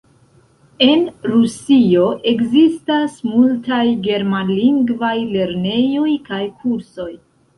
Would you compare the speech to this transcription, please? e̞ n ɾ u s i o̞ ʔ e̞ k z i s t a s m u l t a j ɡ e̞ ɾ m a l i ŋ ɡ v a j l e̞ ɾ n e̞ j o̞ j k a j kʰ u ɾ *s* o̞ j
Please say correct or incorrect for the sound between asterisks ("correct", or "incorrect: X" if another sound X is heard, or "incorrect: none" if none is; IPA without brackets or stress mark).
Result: correct